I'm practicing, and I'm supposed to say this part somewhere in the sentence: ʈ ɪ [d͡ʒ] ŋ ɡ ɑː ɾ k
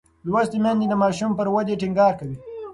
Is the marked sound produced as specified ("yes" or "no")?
no